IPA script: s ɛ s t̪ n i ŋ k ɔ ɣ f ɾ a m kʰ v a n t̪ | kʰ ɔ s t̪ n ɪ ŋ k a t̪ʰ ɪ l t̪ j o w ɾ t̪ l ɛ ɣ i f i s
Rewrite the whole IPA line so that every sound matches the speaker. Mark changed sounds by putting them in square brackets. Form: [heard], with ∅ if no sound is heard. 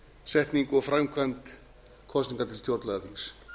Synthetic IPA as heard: s ɛ [h] t̪ n i ŋ k ɔ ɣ f ɾ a m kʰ v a n t̪ | kʰ ɔ s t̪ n [i] ŋ k a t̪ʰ ɪ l t̪ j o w ɾ t̪ l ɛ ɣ [a] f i s